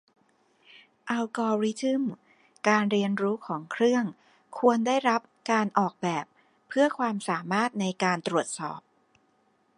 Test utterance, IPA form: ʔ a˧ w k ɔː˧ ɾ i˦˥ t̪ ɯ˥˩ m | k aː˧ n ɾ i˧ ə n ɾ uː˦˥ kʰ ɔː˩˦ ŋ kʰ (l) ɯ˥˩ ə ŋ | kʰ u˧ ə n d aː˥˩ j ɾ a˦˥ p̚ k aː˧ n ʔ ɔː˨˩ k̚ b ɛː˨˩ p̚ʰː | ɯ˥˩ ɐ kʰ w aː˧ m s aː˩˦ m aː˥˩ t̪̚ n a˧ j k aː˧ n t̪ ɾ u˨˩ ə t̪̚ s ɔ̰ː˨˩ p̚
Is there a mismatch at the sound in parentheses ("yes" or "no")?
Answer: yes